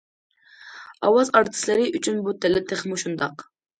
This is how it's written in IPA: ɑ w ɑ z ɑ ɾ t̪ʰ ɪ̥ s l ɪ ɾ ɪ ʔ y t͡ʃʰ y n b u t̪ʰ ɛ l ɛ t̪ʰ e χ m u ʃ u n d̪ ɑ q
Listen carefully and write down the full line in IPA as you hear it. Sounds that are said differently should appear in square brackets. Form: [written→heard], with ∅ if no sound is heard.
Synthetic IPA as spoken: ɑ w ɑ z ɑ ɾ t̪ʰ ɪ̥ s l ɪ ɾ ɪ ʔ y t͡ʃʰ y n b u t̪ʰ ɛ l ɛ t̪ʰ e χ m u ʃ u n d̪ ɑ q